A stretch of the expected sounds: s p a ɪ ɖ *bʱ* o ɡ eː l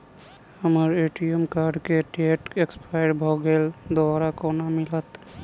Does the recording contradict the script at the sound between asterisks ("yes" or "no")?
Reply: no